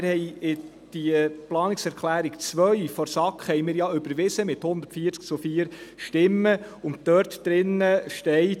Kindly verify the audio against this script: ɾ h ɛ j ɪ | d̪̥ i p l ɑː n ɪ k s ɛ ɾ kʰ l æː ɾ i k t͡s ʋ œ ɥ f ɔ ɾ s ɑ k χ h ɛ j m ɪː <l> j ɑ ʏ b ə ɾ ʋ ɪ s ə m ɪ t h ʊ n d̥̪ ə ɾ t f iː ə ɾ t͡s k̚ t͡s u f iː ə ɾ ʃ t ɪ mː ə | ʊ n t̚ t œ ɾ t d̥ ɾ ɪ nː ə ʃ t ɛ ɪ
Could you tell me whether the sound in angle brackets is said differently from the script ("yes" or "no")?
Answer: yes